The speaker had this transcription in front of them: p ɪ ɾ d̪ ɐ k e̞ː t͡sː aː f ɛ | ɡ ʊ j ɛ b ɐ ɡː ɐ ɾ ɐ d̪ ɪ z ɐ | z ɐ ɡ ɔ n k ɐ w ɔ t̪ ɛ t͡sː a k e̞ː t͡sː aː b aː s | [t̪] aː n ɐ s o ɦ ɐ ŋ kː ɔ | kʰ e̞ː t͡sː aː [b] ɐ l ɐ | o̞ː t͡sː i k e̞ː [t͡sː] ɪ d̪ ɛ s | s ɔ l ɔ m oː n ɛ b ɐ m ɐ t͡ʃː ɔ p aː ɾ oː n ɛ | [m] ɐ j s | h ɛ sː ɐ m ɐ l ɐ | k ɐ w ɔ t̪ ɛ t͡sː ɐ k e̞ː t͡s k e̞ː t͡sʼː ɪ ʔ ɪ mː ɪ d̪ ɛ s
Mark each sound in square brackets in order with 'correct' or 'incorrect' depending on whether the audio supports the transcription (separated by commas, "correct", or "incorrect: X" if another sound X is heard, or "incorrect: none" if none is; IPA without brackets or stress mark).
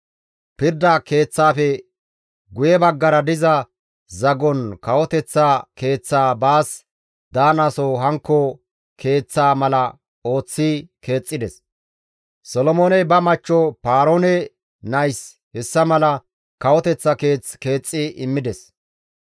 incorrect: d̪, incorrect: m, incorrect: t͡sʼː, incorrect: n